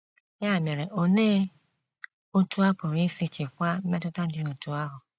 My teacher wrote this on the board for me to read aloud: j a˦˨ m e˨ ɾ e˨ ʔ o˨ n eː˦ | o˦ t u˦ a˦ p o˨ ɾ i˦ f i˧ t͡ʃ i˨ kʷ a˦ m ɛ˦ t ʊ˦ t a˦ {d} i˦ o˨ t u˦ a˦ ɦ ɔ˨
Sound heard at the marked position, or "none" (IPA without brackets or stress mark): d